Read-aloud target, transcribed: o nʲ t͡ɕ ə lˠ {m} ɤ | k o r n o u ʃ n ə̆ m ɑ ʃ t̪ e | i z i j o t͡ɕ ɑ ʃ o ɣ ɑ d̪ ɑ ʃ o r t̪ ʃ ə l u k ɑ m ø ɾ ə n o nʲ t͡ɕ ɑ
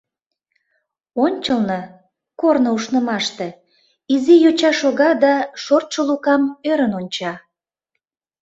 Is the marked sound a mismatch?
yes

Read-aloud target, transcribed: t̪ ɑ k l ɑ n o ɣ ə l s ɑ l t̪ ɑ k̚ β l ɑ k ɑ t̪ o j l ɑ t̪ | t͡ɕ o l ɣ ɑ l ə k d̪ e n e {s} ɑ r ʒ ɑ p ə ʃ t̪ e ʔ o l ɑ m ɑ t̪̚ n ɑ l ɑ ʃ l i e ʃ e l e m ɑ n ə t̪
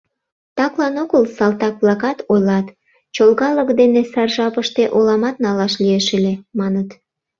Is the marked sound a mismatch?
no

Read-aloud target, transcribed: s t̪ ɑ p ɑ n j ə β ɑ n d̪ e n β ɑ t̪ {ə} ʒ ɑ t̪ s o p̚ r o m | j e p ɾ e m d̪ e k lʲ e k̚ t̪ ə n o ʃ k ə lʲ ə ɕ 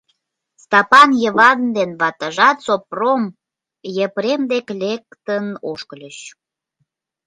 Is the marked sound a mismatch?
no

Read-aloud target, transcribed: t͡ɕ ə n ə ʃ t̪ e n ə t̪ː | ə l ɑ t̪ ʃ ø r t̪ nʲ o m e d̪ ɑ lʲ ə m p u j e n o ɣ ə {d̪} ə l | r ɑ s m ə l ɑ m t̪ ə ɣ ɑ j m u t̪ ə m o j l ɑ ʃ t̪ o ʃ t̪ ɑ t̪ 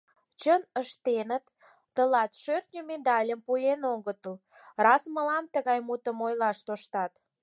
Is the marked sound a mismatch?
yes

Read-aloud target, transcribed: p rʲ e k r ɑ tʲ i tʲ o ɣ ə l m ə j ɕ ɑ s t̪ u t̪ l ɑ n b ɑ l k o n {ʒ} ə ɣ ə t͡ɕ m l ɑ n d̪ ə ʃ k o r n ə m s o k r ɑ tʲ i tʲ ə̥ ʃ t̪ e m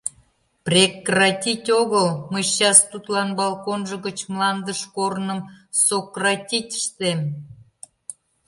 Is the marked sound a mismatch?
no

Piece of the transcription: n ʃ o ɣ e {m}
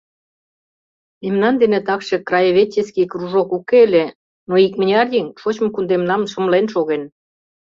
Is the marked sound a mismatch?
yes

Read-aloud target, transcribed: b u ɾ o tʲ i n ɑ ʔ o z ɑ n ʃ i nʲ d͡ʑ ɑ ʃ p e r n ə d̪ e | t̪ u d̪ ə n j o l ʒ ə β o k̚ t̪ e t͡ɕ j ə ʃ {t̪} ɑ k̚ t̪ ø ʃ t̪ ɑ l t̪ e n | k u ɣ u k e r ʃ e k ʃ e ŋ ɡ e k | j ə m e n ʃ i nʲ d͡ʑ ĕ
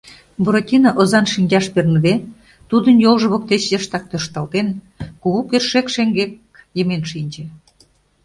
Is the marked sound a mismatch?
no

